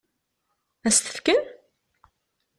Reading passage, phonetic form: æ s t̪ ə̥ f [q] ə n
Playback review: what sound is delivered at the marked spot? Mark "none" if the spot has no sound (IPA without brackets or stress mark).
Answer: k